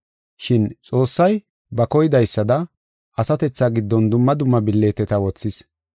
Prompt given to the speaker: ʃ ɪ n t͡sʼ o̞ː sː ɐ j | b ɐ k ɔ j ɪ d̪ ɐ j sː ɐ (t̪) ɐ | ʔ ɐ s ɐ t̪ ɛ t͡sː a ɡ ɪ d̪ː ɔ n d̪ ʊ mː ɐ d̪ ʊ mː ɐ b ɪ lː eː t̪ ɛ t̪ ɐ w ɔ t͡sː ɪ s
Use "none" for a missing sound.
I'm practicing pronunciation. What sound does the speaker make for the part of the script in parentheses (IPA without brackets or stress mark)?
d̪